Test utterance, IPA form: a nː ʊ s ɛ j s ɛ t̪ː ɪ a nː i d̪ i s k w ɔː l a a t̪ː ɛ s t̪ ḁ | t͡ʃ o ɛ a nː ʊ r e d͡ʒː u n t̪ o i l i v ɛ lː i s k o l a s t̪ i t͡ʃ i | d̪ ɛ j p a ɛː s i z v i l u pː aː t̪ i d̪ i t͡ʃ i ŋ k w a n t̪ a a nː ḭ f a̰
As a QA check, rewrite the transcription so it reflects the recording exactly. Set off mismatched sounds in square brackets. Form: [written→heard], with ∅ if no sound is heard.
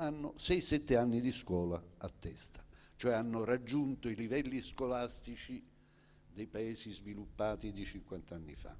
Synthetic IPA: a nː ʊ s ɛ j s ɛ t̪ː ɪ a nː i d̪ i s k w ɔː l a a t̪ː ɛ s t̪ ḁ | t͡ʃ o ɛ a nː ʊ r [e→a] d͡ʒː u n t̪ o i l i v ɛ lː i s k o l a s t̪ i t͡ʃ i | d̪ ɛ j p a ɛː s i z v i l u pː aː t̪ i d̪ i t͡ʃ i ŋ k w a n t̪ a a nː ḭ f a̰